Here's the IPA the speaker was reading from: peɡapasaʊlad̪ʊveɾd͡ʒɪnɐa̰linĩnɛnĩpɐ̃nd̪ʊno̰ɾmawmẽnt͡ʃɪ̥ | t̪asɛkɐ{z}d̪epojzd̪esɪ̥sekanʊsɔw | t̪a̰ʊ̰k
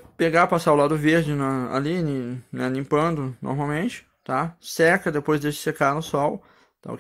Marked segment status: incorrect: none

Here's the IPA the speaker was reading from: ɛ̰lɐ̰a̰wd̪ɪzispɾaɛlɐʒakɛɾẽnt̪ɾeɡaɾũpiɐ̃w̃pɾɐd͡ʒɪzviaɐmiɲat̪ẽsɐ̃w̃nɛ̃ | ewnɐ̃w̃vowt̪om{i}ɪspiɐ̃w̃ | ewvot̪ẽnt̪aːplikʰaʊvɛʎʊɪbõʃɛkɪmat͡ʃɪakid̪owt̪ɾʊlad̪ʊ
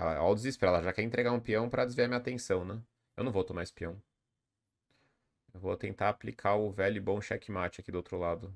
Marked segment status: incorrect: a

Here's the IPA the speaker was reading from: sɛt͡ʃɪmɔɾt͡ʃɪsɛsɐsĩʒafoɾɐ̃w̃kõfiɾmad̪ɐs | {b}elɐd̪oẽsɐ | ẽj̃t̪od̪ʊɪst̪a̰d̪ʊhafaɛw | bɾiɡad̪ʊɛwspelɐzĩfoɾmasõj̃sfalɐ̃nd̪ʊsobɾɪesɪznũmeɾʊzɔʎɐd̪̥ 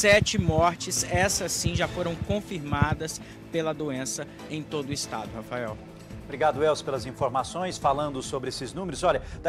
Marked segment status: incorrect: p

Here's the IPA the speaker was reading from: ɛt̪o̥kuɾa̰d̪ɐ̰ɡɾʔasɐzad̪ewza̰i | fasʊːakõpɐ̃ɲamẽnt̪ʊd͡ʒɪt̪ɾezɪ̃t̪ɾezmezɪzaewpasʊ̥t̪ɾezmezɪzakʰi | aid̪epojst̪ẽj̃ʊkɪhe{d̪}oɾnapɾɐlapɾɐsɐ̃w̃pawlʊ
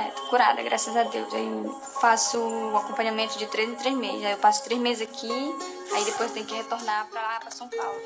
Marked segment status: incorrect: t̪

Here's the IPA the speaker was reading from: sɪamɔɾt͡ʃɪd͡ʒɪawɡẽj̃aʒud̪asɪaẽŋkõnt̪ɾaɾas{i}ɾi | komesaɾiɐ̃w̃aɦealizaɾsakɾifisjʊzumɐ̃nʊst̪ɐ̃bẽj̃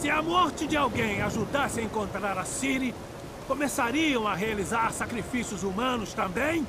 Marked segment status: correct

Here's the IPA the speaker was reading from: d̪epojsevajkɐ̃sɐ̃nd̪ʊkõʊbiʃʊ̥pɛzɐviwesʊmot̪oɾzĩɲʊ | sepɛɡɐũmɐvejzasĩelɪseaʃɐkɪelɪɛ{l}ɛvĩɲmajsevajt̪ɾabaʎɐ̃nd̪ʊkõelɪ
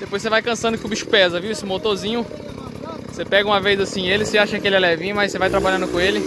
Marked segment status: correct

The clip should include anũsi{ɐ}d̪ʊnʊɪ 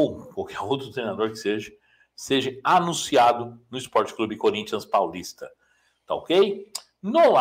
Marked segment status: incorrect: a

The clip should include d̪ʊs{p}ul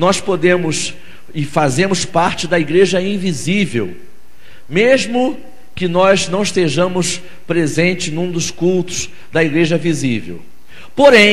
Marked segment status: incorrect: k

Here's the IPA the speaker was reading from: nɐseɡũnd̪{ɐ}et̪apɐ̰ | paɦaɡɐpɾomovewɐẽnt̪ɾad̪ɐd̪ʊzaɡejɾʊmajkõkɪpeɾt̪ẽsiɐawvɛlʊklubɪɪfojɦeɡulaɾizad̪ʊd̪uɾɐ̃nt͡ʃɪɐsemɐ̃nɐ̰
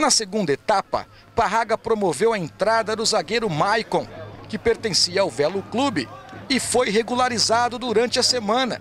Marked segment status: correct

